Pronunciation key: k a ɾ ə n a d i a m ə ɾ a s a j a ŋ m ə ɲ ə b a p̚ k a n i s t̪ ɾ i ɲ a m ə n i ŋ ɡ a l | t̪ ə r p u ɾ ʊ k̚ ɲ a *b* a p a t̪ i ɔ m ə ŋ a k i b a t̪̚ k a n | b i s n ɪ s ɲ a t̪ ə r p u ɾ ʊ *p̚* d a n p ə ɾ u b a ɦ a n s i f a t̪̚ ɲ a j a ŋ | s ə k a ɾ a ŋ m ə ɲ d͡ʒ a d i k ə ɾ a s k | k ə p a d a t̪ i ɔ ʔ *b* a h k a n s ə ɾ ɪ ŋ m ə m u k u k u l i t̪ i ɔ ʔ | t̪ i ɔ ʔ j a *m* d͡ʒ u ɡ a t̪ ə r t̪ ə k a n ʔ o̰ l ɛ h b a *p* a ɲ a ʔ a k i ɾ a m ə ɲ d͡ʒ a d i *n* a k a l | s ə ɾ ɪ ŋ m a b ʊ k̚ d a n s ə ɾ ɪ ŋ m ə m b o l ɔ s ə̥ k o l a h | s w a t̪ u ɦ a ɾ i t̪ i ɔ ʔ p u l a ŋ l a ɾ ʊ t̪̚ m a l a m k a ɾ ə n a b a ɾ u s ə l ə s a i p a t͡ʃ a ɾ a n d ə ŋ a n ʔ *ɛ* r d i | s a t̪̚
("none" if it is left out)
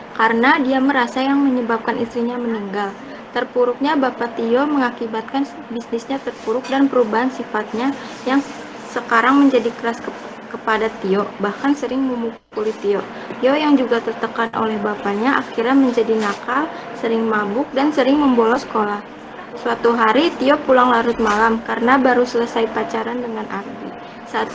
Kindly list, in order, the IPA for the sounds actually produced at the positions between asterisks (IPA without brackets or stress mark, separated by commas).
b, k̚, b, ŋ, p, n, a